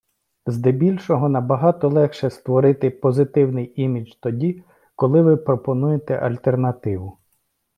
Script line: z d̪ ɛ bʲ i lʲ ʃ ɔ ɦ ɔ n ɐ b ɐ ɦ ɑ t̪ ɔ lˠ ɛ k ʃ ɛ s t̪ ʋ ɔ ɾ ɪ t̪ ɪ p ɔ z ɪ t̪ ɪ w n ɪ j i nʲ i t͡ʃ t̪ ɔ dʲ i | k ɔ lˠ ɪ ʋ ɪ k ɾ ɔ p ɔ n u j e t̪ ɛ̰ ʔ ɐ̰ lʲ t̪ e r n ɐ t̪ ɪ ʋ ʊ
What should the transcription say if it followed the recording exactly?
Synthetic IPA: z d̪ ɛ bʲ i lʲ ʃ ɔ ɦ ɔ n ɐ b ɐ ɦ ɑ t̪ ɔ lˠ ɛ x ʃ ɛ s t̪ ʋ ɔ ɾ ɪ t̪ ɪ p ɔ z ɪ t̪ ɪ w n ɪ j i mʲ i t͡ʃ t̪ ɔ dʲ i | k ɔ lˠ ɪ ʋ ɪ p ɾ ɔ p ɔ n u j e t̪ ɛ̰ ʔ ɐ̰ lʲ t̪ e r n ɐ t̪ ɪ ʋ ʊ